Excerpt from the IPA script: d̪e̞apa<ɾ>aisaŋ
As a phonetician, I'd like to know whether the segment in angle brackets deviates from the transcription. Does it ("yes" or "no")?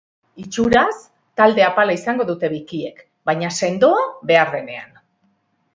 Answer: yes